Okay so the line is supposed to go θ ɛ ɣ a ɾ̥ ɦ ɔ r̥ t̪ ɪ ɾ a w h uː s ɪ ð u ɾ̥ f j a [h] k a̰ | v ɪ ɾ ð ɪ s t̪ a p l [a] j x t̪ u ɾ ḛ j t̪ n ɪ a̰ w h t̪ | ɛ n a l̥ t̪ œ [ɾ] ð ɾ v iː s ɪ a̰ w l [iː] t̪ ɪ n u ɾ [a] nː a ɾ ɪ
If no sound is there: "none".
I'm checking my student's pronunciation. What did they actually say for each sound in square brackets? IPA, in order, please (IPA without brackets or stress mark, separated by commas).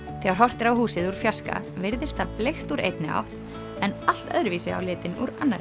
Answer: s, e, none, ɪː, a